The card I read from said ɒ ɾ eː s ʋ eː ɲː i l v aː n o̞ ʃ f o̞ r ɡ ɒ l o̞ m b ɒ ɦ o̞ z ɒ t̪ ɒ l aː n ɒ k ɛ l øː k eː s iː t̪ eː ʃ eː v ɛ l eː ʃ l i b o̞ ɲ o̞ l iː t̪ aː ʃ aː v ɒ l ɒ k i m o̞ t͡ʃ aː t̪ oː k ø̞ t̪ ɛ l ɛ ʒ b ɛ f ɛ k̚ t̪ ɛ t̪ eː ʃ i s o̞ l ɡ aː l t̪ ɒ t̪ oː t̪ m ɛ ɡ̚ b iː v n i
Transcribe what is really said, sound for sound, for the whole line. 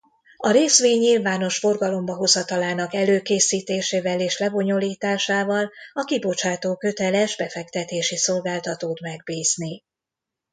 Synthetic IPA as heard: ɒ ɾ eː s ʋ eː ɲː i l v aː n o̞ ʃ f o̞ r ɡ ɒ l o̞ m b ɒ ɦ o̞ z ɒ t̪ ɒ l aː n ɒ k ɛ l øː k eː s iː t̪ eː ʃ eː v ɛ l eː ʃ l ɛ b o̞ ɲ o̞ l iː t̪ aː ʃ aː v ɒ l ɒ k i b o̞ t͡ʃ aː t̪ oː k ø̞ t̪ ɛ l ɛ ʒ b ɛ f ɛ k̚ t̪ ɛ t̪ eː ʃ i s o̞ l ɡ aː l t̪ ɒ t̪ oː t̪ m ɛ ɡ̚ b iː z n i